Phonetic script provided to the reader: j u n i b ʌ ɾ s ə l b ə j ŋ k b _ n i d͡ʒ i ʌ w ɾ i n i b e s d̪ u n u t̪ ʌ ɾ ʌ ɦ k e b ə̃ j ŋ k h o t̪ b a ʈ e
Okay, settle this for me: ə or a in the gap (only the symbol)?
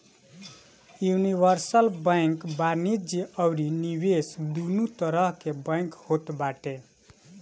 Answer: a